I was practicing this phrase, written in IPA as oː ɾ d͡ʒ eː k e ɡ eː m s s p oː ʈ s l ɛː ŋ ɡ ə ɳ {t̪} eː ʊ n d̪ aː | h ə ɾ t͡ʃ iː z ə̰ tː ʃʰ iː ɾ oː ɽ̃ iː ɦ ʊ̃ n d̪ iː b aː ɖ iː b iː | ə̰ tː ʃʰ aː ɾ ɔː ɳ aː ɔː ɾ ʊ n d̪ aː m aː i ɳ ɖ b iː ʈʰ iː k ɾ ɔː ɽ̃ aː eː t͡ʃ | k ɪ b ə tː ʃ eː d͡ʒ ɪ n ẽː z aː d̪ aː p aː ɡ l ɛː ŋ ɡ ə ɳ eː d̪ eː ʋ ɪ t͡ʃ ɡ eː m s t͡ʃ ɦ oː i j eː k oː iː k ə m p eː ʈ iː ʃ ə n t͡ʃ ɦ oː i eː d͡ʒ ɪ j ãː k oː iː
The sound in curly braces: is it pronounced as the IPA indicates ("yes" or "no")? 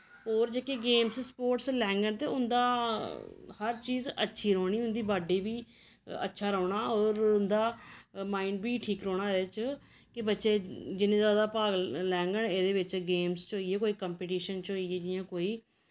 yes